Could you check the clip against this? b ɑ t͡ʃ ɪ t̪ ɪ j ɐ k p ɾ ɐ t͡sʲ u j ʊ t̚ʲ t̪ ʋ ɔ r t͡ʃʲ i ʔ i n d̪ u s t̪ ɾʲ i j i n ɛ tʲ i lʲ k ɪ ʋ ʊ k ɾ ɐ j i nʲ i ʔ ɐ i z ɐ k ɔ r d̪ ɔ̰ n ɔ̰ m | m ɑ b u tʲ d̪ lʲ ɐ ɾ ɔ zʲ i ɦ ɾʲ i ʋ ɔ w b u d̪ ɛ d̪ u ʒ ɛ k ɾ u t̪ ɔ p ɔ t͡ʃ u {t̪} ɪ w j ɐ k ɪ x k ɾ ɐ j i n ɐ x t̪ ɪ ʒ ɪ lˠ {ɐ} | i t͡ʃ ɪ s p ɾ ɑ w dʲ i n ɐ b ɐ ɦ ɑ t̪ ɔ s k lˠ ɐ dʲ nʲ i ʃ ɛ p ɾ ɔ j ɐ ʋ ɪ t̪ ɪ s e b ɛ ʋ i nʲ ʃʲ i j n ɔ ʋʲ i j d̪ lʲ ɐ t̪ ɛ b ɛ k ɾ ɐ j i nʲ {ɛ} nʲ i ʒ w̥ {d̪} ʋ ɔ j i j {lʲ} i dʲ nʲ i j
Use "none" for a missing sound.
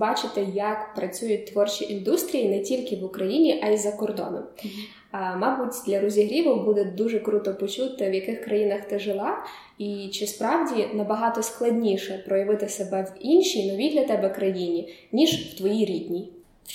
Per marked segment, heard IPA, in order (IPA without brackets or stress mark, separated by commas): t̪, ɑ, i, t̪, ɾʲ